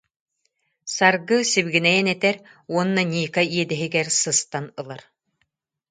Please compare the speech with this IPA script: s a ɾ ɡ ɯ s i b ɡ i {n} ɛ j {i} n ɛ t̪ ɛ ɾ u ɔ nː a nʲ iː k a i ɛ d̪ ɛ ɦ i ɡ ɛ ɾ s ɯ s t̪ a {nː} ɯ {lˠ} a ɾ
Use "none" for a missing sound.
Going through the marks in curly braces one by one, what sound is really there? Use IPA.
n, ɛ, n, lˠ

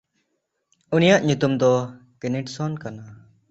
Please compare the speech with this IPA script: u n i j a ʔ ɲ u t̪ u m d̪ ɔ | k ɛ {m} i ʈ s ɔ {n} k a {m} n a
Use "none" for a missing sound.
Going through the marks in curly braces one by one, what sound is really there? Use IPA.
n, n, none

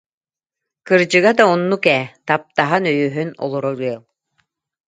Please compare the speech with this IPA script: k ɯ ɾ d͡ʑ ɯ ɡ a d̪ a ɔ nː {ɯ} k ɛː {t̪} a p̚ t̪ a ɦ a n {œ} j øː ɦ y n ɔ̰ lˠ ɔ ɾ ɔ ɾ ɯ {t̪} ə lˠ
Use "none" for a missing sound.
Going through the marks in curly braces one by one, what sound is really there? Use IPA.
u, t̪, œ, none

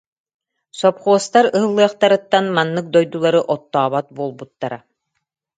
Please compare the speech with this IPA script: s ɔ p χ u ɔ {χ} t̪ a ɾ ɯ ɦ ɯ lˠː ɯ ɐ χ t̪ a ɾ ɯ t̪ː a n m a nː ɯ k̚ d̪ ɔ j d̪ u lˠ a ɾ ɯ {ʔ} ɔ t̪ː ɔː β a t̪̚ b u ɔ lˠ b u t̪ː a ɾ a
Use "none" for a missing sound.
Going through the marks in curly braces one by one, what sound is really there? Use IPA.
s, ʔ

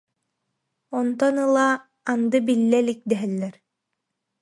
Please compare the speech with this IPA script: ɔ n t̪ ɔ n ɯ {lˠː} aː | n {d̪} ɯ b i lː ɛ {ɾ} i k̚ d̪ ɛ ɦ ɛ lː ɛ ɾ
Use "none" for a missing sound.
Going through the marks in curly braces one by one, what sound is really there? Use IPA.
lˠ, d̪, l

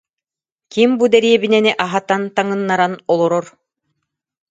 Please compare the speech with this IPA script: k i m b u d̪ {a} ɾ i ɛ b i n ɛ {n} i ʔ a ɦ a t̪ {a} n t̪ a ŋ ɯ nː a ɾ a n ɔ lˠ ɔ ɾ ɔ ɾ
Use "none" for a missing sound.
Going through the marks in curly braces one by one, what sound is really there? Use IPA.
ɛ, n, a

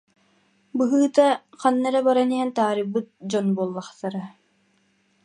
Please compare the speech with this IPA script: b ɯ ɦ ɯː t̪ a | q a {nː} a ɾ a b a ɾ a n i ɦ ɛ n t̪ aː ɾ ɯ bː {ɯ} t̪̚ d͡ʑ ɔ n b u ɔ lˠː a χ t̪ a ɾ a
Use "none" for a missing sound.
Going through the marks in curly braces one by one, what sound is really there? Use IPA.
nː, ɯ

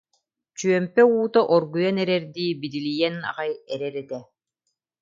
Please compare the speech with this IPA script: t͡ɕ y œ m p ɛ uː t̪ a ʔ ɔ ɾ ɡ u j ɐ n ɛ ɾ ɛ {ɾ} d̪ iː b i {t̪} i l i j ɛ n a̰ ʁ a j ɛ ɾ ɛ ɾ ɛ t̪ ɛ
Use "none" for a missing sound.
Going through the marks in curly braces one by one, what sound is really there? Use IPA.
ɾ, d̪

